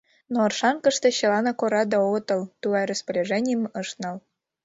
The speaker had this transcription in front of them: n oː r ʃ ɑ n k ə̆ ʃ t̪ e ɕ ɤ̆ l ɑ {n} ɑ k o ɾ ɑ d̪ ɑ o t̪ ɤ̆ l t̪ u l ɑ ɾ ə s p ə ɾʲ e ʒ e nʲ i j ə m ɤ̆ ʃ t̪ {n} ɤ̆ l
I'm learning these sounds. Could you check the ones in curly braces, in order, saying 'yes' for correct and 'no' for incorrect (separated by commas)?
yes, yes